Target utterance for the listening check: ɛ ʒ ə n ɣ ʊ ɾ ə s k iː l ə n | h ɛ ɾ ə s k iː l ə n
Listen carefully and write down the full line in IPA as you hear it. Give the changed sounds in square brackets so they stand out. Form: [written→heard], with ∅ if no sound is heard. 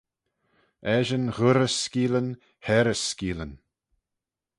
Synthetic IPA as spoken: ɛ ʒ ə n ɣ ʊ ɾ ə s k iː l ə n | h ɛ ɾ ə s k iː l ə n